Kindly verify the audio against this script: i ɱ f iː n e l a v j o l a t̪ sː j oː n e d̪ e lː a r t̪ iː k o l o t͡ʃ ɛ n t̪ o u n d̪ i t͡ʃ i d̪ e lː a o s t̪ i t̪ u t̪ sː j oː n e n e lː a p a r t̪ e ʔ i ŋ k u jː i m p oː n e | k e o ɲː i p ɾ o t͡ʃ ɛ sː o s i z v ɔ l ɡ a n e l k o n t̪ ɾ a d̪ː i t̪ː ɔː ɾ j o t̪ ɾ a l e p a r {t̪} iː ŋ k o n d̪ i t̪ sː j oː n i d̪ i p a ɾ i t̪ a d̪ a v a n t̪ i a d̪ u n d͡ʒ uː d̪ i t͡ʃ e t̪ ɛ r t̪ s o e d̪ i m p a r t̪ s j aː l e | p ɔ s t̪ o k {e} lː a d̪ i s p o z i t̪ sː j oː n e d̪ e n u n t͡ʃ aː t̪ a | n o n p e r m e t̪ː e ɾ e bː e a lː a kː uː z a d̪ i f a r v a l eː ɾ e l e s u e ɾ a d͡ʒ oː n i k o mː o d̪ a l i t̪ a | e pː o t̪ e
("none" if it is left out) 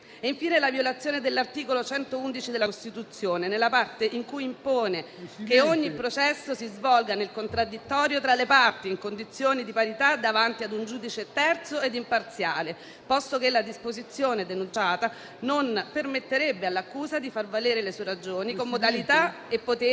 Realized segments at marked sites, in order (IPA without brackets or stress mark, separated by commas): t̪, e